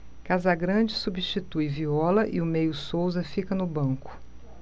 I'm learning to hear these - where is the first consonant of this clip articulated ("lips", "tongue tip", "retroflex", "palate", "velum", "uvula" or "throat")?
velum